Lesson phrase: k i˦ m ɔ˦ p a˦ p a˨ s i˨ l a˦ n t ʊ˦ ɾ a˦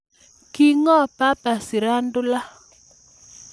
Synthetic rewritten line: k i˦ ŋ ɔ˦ p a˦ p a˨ s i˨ ɾ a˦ n d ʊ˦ l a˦